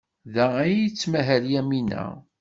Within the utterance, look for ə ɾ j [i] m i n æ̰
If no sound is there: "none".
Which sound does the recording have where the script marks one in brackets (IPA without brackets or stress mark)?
æ